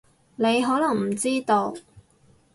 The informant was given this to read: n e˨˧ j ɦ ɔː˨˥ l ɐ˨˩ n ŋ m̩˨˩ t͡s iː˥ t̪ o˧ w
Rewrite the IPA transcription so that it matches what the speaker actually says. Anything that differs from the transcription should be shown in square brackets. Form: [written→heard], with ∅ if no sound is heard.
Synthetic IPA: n e˨˧ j ɦ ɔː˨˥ l ɐ˨˩ [n→∅] ŋ m̩˨˩ t͡s iː˥ t̪ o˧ w